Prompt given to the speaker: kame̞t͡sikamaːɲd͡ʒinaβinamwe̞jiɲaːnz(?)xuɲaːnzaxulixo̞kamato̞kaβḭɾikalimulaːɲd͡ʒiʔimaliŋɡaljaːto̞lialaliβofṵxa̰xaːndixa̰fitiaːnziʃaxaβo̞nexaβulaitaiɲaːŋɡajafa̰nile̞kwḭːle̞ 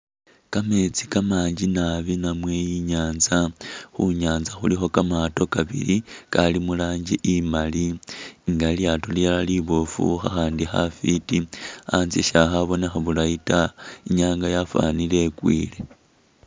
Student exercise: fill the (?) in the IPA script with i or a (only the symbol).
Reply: a